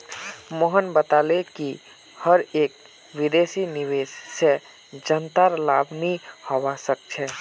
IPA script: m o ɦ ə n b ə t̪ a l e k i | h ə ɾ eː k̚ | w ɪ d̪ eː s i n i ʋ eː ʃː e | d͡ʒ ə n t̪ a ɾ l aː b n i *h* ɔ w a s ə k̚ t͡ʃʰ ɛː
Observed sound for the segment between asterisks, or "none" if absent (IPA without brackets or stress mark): h